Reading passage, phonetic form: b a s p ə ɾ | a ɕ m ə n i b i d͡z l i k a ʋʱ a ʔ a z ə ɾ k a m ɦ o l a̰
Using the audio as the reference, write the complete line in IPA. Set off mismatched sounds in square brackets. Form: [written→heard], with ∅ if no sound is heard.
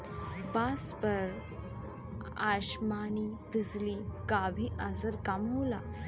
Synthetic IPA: b a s p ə ɾ | a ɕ m [ə→a] n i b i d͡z l i k a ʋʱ [a→i] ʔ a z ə ɾ k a m ɦ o l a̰

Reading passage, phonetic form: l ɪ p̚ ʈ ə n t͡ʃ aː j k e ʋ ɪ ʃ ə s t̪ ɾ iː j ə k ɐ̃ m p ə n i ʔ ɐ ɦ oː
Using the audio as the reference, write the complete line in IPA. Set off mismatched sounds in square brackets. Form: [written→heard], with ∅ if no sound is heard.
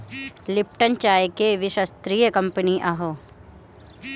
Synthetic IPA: l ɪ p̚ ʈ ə n t͡ʃ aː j k e ʋ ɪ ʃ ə s t̪ ɾ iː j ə k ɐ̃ m p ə n i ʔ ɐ ɦ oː

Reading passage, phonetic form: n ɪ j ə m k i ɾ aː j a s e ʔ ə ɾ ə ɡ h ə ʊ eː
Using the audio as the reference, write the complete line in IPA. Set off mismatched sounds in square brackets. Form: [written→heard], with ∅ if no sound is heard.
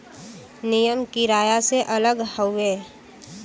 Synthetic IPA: n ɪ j ə m k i ɾ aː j a s e ʔ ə [ɾ→l] ə ɡ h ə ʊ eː

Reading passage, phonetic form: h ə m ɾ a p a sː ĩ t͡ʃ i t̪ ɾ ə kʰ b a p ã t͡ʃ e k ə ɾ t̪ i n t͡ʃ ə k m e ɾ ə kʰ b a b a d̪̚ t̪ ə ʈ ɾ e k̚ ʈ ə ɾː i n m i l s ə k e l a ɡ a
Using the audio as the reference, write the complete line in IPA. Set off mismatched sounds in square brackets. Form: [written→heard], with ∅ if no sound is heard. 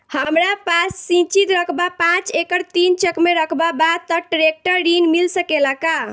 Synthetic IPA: h ə m ɾ a p a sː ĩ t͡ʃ i t̪ ɾ ə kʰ b a p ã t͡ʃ e k ə ɾ t̪ i n t͡ʃ ə k m e ɾ ə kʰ b a b a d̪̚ t̪ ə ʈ ɾ e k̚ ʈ ə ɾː i n m i l s ə k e l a [ɡ→k] a

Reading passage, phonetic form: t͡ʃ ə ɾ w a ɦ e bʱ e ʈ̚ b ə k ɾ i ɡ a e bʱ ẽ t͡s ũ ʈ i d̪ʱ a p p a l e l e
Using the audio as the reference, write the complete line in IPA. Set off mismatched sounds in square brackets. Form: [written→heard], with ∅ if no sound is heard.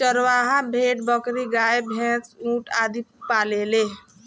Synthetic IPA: t͡ʃ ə ɾ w a ɦ [e→a] bʱ e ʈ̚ b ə k ɾ i ɡ a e bʱ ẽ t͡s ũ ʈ [i→a] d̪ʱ [a→i] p p a l e l e

